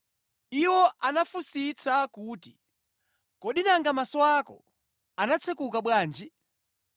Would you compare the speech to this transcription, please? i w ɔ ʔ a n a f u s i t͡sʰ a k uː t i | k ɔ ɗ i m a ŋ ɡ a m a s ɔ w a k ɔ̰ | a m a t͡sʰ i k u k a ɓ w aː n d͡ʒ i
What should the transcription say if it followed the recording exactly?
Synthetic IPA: i w ɔ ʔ a n a f u s i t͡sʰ a k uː t i | k ɔ ɗ i n a ŋ ɡ a m a s ɔ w a k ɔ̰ | a n a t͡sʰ ɛ k u k a ɓ w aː n d͡ʒ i